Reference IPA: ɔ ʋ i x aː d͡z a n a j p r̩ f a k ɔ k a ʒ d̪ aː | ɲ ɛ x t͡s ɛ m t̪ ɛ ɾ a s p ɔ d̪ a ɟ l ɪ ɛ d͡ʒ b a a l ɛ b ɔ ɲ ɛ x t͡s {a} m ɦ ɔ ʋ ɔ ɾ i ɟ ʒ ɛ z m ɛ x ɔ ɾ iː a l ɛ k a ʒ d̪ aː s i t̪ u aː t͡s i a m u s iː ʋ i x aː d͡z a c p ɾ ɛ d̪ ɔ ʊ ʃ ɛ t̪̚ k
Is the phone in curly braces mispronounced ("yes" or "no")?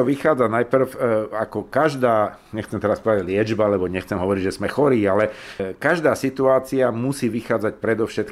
yes